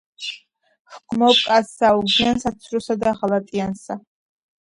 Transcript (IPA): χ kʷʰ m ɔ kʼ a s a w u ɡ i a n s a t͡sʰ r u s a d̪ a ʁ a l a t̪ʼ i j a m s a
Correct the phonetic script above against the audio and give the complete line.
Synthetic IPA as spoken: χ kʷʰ m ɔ kʼ a s a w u ɡ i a n s a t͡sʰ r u s a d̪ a ʁ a l a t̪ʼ i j a n s a